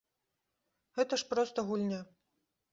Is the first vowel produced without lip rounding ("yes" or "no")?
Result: yes